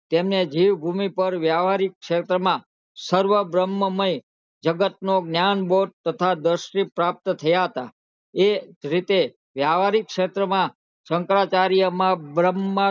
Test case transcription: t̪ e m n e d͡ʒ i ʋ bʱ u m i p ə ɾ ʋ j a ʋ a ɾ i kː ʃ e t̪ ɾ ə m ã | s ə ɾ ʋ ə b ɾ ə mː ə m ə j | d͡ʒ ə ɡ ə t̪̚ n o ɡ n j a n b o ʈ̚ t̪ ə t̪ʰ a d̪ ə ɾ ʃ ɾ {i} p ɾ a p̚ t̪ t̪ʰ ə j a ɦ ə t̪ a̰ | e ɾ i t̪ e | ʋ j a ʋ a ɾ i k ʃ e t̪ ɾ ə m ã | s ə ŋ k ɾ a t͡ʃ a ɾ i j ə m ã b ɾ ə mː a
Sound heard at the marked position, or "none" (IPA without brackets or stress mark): i